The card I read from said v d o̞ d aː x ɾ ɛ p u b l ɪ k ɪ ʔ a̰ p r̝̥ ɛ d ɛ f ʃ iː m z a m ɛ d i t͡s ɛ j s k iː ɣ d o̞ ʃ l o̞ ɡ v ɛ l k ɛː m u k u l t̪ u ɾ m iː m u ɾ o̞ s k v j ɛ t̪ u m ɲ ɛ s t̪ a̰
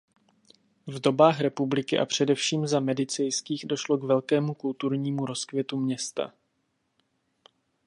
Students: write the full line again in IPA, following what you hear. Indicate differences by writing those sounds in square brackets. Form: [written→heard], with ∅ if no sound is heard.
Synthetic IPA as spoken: v d o̞ [d→b] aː x ɾ ɛ p u b l ɪ k ɪ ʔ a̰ p r̝̥ ɛ d ɛ f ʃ iː m z a m ɛ d [i→ɪ] t͡s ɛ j s k iː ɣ d o̞ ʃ l o̞ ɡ v ɛ l k ɛː m u k u l t̪ u ɾ [m→ɲ] iː m u ɾ o̞ s k v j ɛ t̪ u m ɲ ɛ s t̪ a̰